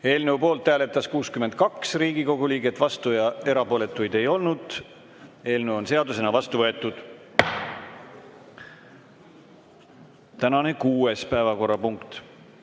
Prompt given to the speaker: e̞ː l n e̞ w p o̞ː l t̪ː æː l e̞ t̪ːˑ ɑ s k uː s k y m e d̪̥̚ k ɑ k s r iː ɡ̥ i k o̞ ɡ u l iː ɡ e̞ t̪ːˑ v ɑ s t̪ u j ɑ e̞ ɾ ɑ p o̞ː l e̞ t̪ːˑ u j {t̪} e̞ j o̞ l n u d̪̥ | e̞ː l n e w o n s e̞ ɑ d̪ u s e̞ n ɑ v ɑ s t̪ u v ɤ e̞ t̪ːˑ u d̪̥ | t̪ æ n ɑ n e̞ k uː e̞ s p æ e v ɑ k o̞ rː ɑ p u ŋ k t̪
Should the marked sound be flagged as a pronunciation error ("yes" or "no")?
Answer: yes